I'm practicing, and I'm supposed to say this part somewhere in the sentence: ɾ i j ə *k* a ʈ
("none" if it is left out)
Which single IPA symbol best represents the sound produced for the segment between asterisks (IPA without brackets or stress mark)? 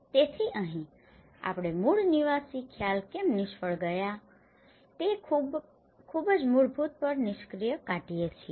k